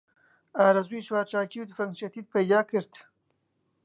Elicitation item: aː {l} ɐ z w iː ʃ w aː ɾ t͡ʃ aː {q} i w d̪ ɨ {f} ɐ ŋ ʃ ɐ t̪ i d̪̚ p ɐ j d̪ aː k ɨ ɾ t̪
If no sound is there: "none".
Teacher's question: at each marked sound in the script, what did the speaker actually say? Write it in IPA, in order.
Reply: ɾ, k, f

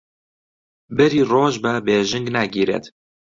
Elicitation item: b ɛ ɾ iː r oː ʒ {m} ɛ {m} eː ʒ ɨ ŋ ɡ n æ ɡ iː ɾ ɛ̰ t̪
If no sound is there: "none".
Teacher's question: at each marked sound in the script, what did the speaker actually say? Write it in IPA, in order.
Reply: b, b

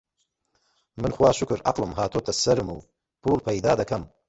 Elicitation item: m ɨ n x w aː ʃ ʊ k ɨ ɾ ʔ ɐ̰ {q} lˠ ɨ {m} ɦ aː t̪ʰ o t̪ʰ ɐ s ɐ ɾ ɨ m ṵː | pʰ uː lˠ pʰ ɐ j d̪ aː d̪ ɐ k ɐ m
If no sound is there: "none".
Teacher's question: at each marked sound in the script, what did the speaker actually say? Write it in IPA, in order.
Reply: q, m

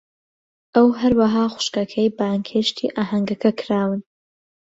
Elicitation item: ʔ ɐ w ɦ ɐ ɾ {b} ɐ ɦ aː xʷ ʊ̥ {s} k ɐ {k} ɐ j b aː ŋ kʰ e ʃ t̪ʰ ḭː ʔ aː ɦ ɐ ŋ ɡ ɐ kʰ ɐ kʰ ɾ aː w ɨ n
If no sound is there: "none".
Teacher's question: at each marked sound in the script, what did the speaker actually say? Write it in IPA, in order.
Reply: w, ʃ, kʰ

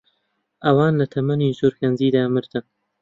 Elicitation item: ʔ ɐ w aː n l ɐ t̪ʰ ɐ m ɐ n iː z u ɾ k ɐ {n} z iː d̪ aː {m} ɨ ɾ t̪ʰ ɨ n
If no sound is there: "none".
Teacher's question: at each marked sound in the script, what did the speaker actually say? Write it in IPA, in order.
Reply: n, m

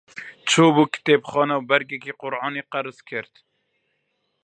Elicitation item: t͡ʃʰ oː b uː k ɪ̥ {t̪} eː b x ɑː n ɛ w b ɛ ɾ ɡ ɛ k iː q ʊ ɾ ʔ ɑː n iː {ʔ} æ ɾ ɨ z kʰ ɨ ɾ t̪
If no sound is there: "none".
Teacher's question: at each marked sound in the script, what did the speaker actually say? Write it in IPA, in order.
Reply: t̪, q

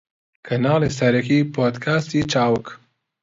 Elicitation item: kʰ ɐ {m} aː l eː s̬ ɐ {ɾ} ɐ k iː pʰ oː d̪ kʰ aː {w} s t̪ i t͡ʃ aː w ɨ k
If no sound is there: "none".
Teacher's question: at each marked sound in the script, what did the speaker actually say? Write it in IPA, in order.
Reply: n, ɾ, none

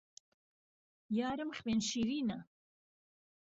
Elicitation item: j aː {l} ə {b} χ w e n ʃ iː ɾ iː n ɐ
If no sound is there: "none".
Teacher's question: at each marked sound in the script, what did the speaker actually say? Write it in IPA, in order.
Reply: ɾ, m

